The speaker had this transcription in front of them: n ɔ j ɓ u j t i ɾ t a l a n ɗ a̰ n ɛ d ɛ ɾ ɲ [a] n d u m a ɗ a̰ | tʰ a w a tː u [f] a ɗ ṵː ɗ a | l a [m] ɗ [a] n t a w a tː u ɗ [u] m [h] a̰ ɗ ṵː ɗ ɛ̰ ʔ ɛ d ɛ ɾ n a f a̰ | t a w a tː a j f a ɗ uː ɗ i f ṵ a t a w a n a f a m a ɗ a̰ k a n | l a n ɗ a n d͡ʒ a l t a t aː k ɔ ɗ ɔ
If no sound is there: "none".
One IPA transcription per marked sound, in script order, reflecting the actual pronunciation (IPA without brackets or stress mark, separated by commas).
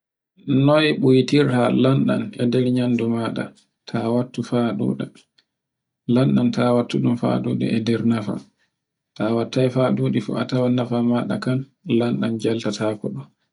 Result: a, f, n, a, u, f